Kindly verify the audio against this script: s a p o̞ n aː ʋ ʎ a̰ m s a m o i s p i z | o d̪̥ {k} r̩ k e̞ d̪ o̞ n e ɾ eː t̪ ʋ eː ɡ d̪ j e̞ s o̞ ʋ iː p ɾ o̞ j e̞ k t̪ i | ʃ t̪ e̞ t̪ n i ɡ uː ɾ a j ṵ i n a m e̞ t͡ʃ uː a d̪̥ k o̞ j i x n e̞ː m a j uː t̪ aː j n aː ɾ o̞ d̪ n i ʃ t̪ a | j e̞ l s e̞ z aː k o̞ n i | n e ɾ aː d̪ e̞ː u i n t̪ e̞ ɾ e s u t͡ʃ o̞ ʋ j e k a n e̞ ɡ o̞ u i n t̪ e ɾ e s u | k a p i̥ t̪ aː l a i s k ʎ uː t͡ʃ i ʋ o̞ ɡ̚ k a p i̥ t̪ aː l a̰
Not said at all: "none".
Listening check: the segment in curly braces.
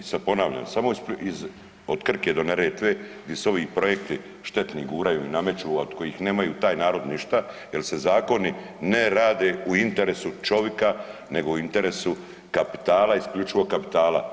k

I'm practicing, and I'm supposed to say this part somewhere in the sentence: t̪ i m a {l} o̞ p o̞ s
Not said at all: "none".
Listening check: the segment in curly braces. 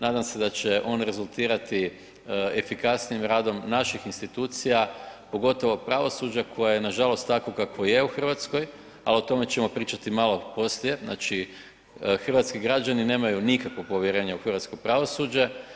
l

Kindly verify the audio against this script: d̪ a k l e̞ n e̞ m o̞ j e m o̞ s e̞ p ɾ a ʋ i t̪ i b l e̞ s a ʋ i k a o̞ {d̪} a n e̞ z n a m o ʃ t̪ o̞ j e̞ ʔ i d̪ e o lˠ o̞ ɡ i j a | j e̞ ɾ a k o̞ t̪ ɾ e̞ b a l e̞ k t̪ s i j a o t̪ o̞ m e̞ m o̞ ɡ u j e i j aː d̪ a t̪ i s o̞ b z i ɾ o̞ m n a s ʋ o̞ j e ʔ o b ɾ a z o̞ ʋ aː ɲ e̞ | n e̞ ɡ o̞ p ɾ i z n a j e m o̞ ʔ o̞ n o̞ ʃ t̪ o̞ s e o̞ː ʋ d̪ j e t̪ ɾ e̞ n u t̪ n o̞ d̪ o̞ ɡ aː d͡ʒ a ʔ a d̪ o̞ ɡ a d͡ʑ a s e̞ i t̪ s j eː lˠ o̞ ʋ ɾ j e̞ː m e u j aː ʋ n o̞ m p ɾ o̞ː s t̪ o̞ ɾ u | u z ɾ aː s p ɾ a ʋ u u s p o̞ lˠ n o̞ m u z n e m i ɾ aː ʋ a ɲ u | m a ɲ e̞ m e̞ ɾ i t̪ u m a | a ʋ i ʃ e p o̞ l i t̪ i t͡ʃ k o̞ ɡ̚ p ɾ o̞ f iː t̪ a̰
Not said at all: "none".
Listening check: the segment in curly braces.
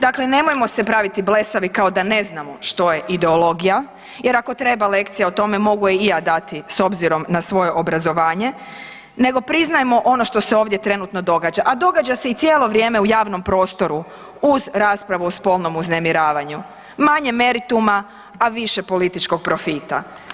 d̪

